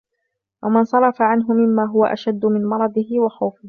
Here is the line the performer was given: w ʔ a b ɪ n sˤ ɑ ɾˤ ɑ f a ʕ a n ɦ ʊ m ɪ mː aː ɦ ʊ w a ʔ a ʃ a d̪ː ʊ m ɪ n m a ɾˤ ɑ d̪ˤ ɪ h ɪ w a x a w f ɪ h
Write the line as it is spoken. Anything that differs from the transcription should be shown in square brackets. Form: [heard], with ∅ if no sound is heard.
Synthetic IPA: w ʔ a [m] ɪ n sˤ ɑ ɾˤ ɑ f a ʕ a n ɦ ʊ m ɪ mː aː ɦ ʊ w a ʔ a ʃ a d̪ː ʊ m ɪ n m [ɑ] ɾˤ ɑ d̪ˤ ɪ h ɪ w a x a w f ɪ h